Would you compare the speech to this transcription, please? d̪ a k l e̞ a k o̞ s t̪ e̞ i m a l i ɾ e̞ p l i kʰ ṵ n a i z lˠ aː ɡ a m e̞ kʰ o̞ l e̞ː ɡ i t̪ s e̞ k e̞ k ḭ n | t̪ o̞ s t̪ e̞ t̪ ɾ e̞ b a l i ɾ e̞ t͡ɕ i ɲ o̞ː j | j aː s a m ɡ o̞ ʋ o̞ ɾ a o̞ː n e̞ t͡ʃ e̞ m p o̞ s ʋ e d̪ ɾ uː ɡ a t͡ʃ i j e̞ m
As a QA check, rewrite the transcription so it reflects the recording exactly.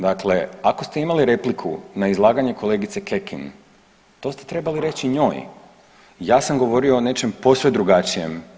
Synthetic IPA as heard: d̪ a k l e̞ a k o̞ s t̪ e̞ i m a l i ɾ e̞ p l i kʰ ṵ n a i z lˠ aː ɡ a ɲ e̞ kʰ o̞ l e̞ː ɡ i t̪ s e̞ k e̞ k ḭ n | t̪ o̞ s t̪ e̞ t̪ ɾ e̞ b a l i ɾ e̞ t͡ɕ i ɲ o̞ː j | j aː s a m ɡ o̞ ʋ o̞ ɾ i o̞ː n e̞ t͡ʃ e̞ m p o̞ s ʋ e d̪ ɾ u ɡ a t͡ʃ i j e̞ m